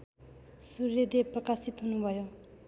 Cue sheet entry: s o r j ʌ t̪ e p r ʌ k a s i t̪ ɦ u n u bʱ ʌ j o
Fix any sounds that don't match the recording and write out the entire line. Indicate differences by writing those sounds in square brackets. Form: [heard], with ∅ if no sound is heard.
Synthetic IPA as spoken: s [u] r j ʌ [d̪] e p r ʌ k a s i t̪ ɦ u n u bʱ ʌ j o